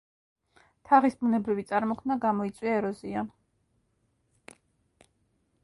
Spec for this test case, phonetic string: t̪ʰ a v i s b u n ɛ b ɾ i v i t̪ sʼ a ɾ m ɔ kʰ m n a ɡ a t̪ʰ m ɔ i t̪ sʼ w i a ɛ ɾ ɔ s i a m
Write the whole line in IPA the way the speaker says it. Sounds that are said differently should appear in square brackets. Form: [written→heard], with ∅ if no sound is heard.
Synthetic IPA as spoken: t̪ʰ a [v→ʁ] i s b u n ɛ b ɾ i v i t̪ sʼ a ɾ m ɔ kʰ m n a ɡ a [t̪ʰ→∅] m ɔ i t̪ sʼ w i a ɛ ɾ ɔ [s→z] i a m

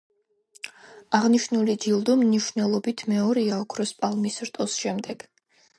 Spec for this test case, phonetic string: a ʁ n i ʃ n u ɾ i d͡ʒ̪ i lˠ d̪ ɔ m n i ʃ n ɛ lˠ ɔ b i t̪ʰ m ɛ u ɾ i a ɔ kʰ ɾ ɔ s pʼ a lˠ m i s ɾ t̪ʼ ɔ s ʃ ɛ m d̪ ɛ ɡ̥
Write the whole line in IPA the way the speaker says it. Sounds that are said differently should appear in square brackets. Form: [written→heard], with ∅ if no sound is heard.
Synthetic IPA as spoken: a ʁ n i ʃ n u [ɾ→l] i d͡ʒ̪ i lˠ d̪ ɔ m n i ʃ n ɛ lˠ ɔ b i t̪ʰ m ɛ [u→ɔ] ɾ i a ɔ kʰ ɾ ɔ s pʼ a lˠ m i s ɾ t̪ʼ ɔ s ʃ ɛ m d̪ ɛ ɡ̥

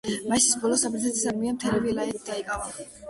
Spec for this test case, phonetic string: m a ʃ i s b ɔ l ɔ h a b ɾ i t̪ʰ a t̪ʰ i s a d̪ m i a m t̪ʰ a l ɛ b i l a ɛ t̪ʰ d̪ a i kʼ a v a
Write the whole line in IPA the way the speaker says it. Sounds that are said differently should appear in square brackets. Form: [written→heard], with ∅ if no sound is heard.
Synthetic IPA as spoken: m a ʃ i s b ɔ l ɔ [h→s] a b ɾ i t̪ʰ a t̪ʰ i s a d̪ m i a m t̪ʰ [a→ɛ] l ɛ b i l a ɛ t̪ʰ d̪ a i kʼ a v a

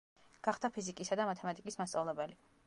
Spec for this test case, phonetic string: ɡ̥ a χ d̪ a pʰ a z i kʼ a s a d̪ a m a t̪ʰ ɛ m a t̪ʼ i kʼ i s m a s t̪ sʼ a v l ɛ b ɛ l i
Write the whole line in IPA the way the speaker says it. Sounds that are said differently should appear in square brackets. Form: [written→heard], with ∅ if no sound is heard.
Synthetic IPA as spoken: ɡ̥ a χ d̪ a pʰ [a→i] z i kʼ [a→i] s a d̪ a m a t̪ʰ ɛ m a t̪ʼ i kʼ i s m a s t̪ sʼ a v l ɛ b ɛ l i

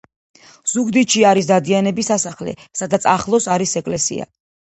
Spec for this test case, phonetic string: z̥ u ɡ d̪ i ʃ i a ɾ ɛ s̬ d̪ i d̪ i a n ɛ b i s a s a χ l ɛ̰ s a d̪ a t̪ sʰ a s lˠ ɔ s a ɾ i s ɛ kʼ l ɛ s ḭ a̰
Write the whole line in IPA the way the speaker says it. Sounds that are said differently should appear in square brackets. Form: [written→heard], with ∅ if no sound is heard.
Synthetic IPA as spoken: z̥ u ɡ d̪ i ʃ i a ɾ [ɛ→i] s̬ d̪ [i→a] d̪ i a n ɛ b i s a s a χ l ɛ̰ s a d̪ a t̪ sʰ a [s→χ] lˠ ɔ s a ɾ i s ɛ kʼ l ɛ s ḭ a̰

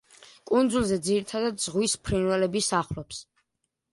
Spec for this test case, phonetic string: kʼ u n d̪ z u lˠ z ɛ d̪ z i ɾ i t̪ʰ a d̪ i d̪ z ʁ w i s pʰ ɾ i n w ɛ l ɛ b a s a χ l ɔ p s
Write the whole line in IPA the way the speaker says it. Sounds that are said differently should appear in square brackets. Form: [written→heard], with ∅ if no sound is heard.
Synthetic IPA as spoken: kʼ u n d̪ z u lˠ z ɛ d̪ z i ɾ i t̪ʰ a d̪ [i→a] d̪ z ʁ w i s pʰ ɾ i n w ɛ l ɛ b [a→i] s a χ l ɔ p s

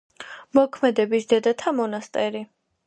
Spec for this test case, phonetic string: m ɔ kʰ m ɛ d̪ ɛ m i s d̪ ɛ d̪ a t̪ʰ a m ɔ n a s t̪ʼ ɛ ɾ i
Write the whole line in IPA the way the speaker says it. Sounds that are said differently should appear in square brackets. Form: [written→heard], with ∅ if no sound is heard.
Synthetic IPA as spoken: m ɔ kʰ m ɛ d̪ ɛ [m→b] i s d̪ ɛ d̪ a t̪ʰ a m ɔ n a s t̪ʼ ɛ ɾ i

